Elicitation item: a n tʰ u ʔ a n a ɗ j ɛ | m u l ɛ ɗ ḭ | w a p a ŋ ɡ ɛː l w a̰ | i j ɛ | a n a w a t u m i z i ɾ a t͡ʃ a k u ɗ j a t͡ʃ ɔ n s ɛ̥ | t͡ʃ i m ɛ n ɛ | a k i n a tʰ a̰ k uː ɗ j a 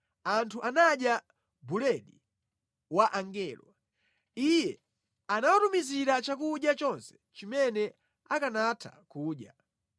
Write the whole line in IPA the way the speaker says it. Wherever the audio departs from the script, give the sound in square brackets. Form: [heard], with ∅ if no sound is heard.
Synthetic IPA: a n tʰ u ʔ a n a ɗ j [a] | [b] u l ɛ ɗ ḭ | w a [ʔ] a ŋ ɡ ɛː l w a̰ | i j ɛ | a n a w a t u m i z i ɾ a t͡ʃ a k u ɗ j a t͡ʃ ɔ n s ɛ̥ | t͡ʃ i m ɛ n ɛ | a k [a] n a tʰ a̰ k uː ɗ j a